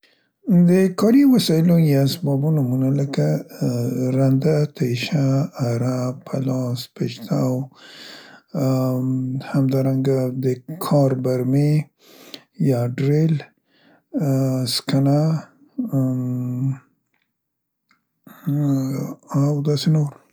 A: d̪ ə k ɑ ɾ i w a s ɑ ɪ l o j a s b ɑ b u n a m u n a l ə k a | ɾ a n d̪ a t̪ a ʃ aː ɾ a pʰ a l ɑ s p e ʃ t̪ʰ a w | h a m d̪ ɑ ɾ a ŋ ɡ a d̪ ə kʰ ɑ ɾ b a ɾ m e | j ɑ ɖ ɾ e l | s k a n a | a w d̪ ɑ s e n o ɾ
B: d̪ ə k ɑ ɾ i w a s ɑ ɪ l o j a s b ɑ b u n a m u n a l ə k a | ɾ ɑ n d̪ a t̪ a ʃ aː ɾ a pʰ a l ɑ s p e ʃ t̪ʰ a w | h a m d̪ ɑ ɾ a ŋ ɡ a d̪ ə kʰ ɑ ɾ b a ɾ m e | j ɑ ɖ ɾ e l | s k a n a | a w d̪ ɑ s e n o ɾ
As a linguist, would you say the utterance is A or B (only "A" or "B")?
A